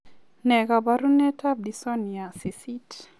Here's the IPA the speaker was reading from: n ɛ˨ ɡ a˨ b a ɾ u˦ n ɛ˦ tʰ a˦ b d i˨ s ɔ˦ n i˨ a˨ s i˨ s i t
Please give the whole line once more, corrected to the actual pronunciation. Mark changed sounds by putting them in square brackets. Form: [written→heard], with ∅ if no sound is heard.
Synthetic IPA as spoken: n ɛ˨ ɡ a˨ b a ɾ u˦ n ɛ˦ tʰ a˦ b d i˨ s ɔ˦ n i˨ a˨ s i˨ s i t